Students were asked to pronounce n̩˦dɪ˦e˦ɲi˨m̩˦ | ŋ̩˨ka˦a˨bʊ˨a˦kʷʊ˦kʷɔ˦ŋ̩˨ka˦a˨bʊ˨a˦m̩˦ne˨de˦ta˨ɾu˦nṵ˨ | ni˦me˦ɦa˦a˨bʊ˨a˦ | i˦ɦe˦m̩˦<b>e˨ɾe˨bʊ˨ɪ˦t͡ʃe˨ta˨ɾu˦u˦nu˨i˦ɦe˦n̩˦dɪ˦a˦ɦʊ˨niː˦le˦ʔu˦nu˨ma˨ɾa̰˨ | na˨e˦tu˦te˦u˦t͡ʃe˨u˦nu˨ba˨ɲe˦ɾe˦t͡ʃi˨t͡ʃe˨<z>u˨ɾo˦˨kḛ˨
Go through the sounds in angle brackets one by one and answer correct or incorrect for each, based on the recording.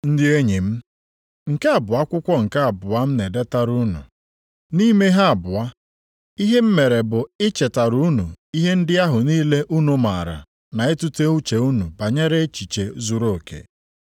incorrect: m, correct

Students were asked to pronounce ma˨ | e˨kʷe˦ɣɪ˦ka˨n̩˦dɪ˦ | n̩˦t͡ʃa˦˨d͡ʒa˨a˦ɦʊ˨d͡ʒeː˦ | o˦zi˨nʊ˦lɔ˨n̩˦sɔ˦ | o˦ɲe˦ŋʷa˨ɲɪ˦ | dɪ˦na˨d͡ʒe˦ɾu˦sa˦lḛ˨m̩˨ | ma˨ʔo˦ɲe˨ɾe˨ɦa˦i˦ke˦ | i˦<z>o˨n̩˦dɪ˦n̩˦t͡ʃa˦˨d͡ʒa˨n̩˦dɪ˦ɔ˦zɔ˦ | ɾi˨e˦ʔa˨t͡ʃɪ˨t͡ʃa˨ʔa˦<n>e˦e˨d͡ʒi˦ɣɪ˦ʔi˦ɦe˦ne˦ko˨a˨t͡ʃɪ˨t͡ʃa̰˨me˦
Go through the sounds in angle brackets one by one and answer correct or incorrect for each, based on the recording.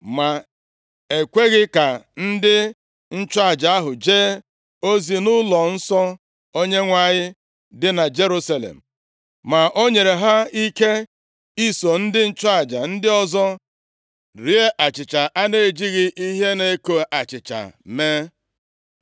incorrect: s, correct

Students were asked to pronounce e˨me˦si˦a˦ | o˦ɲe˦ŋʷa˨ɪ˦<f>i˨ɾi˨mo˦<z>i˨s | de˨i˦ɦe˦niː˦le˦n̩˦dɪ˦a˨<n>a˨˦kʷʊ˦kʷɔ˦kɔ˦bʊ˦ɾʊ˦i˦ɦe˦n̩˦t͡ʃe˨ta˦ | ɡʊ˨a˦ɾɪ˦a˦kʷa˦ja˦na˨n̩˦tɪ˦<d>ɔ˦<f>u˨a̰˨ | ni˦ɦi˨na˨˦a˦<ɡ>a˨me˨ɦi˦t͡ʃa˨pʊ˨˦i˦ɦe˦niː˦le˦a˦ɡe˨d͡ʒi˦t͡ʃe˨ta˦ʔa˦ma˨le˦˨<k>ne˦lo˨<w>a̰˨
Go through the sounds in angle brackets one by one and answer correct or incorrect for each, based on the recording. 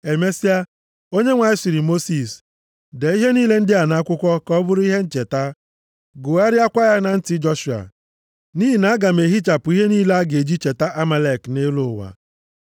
incorrect: s, incorrect: s, correct, incorrect: d͡ʒ, incorrect: ʃ, correct, correct, correct

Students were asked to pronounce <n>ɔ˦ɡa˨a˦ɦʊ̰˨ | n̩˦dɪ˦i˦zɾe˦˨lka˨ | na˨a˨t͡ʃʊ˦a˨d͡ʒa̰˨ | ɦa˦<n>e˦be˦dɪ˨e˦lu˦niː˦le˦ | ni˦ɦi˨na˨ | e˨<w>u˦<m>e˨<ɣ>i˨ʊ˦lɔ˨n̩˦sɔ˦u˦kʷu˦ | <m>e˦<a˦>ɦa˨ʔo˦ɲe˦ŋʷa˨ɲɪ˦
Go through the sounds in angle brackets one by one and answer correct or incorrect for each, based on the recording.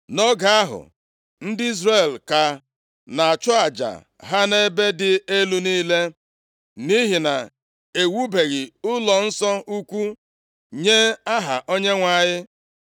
correct, correct, correct, incorrect: b, correct, incorrect: ɲ, correct

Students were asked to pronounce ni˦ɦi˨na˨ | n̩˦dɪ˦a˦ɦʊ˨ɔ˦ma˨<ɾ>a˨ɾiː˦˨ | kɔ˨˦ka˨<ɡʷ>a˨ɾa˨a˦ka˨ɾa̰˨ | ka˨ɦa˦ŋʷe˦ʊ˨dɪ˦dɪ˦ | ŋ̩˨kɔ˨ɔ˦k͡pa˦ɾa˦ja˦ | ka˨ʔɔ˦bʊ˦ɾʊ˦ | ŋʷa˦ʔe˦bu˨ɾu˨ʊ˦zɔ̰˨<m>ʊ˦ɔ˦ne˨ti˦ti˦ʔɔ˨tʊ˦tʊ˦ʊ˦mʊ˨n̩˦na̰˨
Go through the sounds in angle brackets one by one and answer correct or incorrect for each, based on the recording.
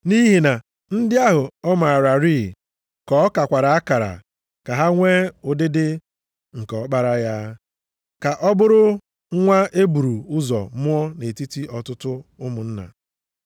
correct, incorrect: kʷ, correct

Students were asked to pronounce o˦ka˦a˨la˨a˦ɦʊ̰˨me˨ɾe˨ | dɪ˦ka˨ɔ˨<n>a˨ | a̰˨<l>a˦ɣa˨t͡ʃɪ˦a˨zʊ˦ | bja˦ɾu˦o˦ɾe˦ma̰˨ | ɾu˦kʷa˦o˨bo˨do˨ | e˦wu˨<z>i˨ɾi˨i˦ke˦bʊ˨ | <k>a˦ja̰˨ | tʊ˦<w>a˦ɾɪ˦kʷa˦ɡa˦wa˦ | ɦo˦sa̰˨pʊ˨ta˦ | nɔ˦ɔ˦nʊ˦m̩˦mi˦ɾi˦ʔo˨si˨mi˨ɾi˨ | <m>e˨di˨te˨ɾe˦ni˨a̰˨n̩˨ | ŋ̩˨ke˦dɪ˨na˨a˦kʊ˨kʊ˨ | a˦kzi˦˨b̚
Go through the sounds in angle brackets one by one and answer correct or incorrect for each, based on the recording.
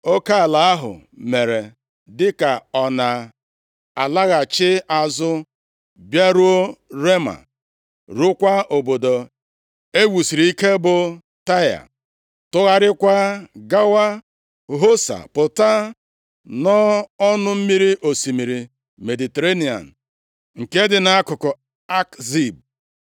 correct, correct, incorrect: s, incorrect: t, incorrect: ɣ, correct

